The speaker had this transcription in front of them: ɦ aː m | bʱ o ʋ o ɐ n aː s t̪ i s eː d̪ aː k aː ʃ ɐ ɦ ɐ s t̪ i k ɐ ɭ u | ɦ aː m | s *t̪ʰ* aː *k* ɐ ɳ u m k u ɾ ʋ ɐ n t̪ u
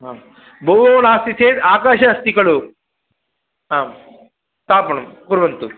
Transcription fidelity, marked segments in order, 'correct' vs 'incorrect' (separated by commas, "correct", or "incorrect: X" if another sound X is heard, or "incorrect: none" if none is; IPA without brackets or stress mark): incorrect: t̪, incorrect: p